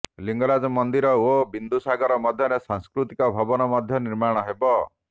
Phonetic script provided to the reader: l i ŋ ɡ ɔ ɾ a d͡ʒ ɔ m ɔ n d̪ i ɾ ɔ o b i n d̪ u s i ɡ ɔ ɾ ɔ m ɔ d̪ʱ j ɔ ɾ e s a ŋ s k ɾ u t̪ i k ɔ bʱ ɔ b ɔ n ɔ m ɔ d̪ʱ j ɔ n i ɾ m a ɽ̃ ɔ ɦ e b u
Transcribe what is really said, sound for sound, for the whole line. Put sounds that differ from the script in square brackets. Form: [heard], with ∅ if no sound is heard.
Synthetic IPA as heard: l i ŋ ɡ ɔ ɾ a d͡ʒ ɔ m ɔ n d̪ i ɾ ɔ o b i n d̪ u s [a] ɡ ɔ ɾ ɔ m ɔ d̪ʱ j ɔ ɾ e s a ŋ s k ɾ u t̪ i k ɔ bʱ ɔ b ɔ n ɔ m ɔ d̪ʱ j ɔ n i ɾ m a ɽ̃ ɔ ɦ e b [ɔ]